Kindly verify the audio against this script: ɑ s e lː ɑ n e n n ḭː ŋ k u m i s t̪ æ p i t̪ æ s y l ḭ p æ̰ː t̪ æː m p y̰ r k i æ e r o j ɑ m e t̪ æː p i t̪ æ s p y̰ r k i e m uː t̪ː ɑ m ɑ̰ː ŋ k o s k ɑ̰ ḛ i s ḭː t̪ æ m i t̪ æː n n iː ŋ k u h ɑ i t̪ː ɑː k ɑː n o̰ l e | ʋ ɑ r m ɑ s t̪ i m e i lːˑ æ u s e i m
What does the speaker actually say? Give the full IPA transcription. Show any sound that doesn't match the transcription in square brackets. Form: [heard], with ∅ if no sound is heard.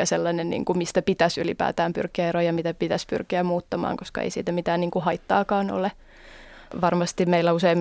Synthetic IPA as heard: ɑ s e lː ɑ n e n n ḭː ŋ k u m i s t̪ æ p i t̪ æ s y l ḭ p æ̰ː t̪ æː m p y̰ r k i æ e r o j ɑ m [i] t̪ [æ] p i t̪ æ s p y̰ r k i [æ] m uː t̪ː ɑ m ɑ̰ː ŋ k o s k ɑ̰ ḛ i s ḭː t̪ æ m i t̪ æː n n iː ŋ k u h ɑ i t̪ː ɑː k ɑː n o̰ l e | ʋ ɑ r m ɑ s t̪ i m e i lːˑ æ u s e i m